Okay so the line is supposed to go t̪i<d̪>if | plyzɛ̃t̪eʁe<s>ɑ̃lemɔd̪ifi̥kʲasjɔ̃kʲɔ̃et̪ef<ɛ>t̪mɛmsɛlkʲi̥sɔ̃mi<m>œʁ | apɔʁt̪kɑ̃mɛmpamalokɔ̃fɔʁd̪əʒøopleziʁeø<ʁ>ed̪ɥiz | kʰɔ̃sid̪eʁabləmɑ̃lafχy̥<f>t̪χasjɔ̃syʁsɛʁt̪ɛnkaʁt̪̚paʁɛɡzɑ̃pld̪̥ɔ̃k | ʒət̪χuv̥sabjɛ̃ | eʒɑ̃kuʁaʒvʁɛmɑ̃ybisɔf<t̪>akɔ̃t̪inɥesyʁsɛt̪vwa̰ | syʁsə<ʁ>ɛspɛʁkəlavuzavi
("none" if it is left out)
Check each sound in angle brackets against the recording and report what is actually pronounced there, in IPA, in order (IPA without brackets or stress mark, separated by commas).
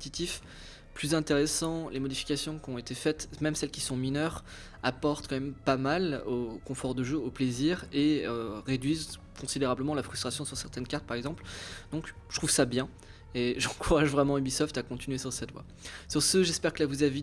t̪, s, ɛ, n, ʁ, s, t̪, ʒ